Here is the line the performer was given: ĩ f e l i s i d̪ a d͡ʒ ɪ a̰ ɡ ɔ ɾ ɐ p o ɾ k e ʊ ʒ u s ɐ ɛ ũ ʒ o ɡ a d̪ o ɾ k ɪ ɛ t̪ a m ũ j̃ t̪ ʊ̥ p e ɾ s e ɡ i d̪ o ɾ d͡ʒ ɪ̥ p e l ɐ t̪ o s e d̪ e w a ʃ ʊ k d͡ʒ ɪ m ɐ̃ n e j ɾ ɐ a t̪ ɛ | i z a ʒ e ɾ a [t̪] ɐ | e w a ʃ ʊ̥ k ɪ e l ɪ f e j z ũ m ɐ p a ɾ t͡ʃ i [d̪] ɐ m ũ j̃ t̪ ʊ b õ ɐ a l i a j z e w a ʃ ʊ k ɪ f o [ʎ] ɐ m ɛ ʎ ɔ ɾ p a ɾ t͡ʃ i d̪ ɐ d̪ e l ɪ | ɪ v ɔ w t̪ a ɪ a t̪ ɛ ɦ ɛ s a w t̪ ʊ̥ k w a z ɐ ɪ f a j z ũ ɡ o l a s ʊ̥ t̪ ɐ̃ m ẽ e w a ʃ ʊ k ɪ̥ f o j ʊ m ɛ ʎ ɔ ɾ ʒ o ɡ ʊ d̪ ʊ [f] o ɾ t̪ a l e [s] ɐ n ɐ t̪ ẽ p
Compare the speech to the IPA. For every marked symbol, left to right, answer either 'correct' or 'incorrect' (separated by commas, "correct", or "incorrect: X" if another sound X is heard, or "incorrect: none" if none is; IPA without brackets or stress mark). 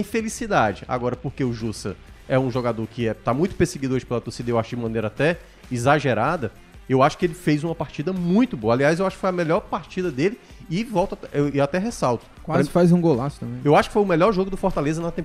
incorrect: d̪, correct, incorrect: j, correct, incorrect: z